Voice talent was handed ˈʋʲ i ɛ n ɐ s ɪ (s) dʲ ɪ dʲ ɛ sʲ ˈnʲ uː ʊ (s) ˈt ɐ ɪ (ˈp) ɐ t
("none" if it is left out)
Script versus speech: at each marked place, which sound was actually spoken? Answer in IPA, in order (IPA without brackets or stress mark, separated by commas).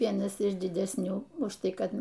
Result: ʃ, ʃ, k